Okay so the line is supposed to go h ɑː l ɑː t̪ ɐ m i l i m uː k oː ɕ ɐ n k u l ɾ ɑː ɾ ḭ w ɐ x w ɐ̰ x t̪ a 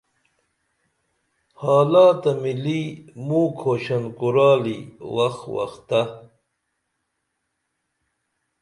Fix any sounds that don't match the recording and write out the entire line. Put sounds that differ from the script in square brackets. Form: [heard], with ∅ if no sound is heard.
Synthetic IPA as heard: h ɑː l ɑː t̪ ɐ m i l i m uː [kʰ] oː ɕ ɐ n k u [∅] ɾ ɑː [l] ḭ w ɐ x w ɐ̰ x t̪ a